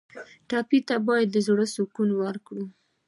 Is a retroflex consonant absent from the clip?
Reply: no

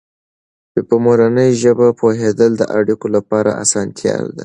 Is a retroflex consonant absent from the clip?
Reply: no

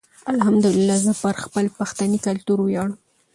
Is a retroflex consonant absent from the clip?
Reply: no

